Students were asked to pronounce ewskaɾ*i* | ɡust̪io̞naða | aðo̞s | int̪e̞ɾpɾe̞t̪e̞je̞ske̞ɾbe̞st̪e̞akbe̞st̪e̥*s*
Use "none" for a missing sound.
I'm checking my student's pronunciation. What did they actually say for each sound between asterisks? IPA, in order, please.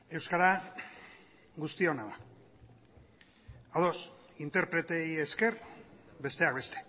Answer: a, none

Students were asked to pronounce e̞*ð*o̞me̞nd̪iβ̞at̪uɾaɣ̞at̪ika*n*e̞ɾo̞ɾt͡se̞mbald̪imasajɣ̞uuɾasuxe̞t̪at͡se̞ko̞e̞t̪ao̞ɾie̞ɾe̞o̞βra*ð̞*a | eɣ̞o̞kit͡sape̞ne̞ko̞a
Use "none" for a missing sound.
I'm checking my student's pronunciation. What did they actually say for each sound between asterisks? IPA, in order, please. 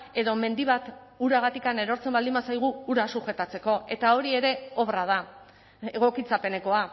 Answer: ð, n, ð̞

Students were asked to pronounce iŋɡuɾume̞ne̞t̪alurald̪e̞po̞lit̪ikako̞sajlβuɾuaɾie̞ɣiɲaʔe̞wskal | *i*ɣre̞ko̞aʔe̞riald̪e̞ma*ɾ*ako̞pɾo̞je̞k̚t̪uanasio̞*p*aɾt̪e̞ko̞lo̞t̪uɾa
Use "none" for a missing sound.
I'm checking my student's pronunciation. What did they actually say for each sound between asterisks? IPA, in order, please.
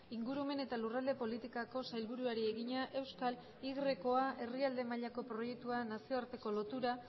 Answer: i, ʎ, none

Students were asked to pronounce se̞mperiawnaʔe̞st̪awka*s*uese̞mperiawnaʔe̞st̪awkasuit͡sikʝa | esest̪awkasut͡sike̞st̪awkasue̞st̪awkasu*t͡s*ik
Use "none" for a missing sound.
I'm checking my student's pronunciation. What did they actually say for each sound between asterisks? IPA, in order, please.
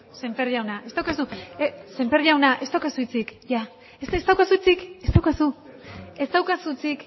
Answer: s, t͡s

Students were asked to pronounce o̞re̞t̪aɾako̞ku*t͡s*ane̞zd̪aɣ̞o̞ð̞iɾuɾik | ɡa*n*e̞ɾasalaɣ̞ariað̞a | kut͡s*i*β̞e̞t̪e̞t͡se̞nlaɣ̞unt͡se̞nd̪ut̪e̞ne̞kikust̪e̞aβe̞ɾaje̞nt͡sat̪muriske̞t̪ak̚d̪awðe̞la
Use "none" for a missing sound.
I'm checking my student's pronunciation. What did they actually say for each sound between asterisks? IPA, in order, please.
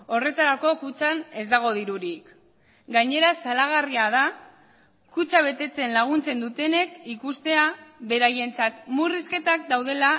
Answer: t͡s, ɲ, a

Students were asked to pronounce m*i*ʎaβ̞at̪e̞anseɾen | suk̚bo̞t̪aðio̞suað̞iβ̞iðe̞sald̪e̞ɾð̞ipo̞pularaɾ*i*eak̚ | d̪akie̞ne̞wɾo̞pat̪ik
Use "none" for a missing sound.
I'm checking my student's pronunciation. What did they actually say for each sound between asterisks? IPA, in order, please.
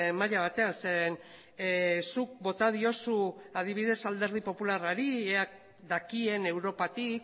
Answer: a, i

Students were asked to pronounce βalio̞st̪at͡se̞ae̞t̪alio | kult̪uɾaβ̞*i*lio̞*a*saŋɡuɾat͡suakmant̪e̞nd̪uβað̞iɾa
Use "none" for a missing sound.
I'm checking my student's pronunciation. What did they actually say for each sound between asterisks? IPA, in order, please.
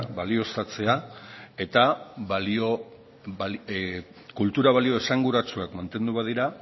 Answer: a, e

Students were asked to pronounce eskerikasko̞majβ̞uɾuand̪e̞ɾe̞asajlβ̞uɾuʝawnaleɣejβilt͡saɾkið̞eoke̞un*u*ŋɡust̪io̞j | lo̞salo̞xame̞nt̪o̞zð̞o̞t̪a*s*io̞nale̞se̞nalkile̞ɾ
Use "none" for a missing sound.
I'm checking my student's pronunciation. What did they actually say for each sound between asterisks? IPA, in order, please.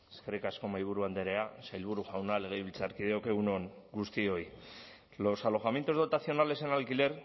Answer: o, θ

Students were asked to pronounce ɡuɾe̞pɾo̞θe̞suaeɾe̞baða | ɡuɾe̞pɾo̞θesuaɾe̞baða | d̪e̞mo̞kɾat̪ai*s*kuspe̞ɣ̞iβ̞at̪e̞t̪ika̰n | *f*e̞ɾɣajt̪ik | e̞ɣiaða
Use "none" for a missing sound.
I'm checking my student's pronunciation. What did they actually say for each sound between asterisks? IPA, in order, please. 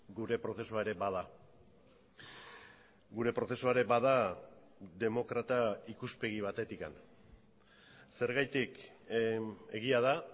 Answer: none, s

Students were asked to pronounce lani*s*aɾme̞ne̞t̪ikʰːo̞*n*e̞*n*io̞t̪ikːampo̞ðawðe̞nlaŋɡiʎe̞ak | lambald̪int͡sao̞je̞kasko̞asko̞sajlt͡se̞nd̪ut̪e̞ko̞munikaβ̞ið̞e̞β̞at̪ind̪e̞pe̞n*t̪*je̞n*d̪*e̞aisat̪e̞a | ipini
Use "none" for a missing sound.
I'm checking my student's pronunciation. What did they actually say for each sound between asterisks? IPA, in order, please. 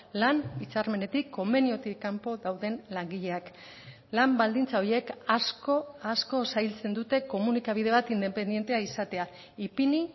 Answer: t͡s, m, n, d̪, t̪

